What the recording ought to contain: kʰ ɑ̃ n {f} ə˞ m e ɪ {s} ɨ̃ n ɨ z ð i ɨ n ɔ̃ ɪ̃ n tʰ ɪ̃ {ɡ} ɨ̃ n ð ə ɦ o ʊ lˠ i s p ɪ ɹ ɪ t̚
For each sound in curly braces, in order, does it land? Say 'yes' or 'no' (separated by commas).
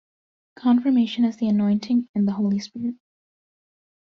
yes, no, no